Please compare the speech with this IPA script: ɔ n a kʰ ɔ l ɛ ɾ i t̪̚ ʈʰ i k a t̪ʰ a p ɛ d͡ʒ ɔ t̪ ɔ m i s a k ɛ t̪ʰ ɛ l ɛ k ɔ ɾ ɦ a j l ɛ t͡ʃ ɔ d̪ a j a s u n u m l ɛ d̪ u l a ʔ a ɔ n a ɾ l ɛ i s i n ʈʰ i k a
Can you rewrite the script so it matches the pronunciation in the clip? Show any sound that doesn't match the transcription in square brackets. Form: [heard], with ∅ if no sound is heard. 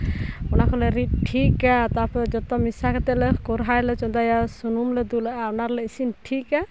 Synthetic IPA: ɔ n a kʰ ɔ l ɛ ɾ i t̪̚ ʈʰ i k a [t̪] a p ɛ d͡ʒ ɔ t̪ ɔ m i s a k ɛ [t̪] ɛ l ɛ k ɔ ɾ ɦ a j l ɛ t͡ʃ ɔ d̪ a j a s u n u m l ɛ d̪ u l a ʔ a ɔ n a ɾ l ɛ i s i n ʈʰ i k a